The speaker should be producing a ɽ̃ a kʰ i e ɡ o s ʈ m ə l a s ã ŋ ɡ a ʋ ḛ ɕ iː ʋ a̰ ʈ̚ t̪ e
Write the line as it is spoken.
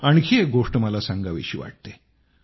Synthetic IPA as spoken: a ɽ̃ i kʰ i e ɡ o ʂ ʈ m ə l a s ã ŋ ɡ a ʋ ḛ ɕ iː ʋ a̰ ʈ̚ t̪ e

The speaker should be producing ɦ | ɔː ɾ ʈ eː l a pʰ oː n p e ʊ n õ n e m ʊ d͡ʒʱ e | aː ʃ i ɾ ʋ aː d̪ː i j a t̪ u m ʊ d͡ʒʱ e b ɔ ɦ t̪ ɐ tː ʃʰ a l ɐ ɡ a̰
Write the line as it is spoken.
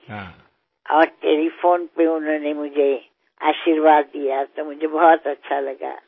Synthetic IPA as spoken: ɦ | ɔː ɾ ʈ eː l i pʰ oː n p e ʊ n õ n e m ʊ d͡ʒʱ e | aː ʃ i ɾ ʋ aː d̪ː i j a t̪ o m ʊ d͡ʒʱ e b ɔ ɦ t̪ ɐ tː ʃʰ a l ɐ ɡ a̰

